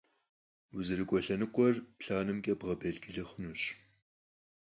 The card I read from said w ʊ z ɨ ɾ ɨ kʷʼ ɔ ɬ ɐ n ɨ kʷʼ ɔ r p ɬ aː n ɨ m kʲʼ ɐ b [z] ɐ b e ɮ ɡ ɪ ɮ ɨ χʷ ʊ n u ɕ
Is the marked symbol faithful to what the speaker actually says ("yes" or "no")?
no